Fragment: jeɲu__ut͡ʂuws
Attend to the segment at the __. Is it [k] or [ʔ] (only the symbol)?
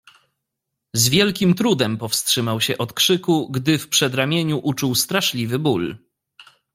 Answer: ʔ